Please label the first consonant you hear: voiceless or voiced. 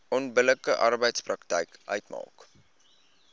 voiced